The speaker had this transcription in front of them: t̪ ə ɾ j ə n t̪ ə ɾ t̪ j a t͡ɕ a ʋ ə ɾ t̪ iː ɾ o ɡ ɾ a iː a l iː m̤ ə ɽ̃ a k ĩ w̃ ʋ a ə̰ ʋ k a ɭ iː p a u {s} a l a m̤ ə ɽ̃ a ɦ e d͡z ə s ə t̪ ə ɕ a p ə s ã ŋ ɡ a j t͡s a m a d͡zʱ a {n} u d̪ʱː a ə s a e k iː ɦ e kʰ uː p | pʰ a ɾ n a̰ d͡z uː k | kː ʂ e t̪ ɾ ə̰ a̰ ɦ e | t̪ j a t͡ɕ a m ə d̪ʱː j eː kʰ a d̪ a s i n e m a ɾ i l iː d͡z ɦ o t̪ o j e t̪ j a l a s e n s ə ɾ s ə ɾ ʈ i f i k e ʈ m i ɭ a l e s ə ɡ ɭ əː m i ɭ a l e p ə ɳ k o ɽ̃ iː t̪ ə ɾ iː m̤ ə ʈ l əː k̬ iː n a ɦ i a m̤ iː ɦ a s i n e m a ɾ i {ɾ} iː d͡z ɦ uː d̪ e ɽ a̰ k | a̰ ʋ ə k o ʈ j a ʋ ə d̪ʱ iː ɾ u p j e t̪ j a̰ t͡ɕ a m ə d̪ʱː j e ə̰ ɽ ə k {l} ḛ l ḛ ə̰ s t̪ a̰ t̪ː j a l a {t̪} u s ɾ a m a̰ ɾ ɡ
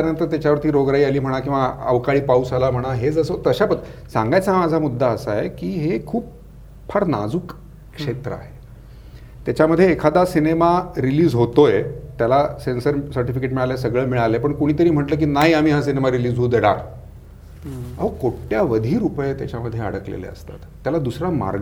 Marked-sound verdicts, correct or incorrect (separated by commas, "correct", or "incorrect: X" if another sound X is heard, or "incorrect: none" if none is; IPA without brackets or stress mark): correct, incorrect: m, incorrect: l, correct, incorrect: d̪